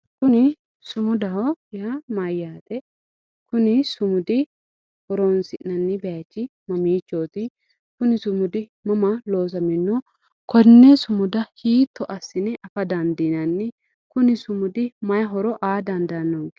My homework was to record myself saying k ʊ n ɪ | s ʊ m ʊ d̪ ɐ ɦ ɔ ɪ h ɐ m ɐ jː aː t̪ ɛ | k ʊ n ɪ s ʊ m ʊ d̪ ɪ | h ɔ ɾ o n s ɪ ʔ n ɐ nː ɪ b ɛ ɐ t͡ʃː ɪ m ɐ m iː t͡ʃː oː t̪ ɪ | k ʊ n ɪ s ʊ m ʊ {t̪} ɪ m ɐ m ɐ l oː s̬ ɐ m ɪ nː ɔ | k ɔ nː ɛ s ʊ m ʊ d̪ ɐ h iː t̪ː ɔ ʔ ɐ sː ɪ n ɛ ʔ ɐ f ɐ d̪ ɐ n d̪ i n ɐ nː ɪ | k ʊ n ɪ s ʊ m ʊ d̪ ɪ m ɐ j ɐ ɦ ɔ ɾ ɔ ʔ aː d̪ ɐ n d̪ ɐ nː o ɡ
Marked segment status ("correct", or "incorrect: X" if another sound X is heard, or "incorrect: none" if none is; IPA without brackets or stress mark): incorrect: d̪